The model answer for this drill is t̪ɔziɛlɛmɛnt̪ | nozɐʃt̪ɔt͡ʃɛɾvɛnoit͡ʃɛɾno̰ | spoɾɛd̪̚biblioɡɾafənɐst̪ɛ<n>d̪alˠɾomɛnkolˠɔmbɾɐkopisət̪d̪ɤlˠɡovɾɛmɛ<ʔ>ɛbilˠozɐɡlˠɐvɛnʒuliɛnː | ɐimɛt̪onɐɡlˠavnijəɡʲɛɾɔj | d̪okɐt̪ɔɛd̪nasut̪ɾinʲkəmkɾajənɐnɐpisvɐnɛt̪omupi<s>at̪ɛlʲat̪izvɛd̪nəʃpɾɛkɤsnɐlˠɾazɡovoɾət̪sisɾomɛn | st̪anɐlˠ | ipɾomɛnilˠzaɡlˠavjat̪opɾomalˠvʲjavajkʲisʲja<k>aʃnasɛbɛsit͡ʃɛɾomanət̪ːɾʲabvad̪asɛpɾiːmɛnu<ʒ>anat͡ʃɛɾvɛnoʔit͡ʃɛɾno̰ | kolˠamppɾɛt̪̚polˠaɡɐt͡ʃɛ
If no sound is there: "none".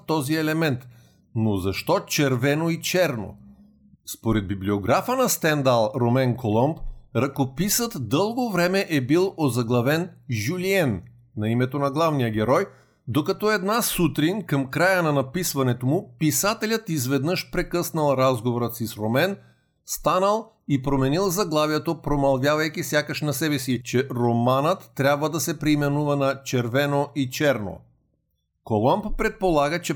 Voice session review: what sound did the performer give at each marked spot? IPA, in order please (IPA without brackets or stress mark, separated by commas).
n, ʔ, s, k, v